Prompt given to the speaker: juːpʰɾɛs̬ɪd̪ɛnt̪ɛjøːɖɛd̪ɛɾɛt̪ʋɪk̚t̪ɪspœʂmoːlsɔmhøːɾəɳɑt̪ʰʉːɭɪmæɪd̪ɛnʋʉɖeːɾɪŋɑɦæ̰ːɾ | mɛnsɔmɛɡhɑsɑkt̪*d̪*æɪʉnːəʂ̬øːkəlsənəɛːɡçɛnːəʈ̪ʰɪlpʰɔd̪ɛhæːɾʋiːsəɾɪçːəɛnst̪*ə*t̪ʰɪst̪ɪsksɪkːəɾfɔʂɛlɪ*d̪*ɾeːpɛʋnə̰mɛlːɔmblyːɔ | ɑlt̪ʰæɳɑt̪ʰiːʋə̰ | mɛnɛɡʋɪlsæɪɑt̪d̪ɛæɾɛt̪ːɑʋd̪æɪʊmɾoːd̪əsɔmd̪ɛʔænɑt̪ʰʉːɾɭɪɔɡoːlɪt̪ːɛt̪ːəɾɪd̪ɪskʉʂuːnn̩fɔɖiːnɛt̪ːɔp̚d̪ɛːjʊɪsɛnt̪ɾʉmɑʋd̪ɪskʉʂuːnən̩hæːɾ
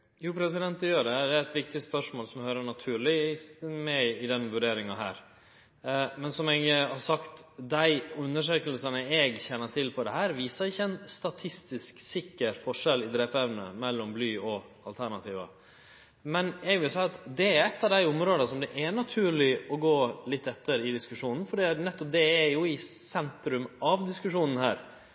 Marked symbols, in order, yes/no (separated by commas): yes, no, yes